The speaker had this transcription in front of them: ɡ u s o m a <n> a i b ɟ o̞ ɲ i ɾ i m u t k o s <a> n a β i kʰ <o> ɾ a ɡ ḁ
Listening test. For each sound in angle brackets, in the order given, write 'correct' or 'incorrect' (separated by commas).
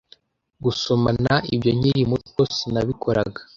correct, incorrect, correct